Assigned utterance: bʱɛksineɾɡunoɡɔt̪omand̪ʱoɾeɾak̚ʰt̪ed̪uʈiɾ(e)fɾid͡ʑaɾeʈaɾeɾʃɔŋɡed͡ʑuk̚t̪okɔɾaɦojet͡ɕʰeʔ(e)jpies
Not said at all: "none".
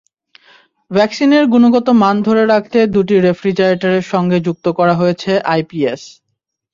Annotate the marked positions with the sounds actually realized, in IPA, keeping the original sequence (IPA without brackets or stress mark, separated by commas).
e, a